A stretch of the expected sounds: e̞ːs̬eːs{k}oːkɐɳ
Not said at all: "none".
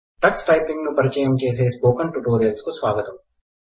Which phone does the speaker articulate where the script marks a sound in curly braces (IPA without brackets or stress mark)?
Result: p